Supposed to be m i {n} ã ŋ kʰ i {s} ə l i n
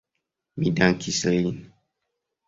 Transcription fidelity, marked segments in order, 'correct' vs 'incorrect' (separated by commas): incorrect, correct